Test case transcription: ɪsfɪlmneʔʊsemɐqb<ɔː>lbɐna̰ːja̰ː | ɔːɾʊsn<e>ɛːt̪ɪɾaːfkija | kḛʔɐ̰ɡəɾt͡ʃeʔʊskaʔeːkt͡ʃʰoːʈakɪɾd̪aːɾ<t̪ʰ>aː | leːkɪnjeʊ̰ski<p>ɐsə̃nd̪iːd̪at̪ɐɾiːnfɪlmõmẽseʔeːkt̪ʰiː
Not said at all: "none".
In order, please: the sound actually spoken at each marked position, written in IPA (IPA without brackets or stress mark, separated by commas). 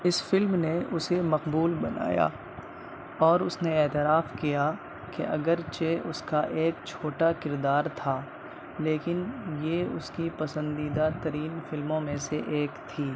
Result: uː, e, t̪ʰ, p